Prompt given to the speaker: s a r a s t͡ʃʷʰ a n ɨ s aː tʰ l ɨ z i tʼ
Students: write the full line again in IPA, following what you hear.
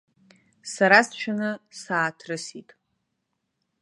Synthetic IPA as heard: s a ɾ a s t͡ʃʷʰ a n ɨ s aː tʰ r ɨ s i tʼ